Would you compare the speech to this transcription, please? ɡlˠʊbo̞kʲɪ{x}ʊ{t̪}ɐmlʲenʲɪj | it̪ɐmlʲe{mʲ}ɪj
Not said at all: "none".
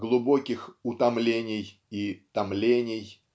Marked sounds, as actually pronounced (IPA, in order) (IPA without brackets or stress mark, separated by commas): x, t̪, nʲ